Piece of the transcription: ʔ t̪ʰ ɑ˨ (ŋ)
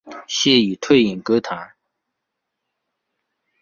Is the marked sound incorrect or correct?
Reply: correct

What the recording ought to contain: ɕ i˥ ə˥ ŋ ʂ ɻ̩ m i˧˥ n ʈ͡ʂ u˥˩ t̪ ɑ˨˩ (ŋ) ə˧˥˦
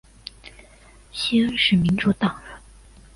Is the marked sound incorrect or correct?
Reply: correct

